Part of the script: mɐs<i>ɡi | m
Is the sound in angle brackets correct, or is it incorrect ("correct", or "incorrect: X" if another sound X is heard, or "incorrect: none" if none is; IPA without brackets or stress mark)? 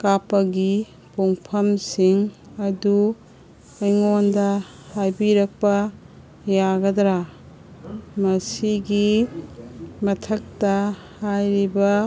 correct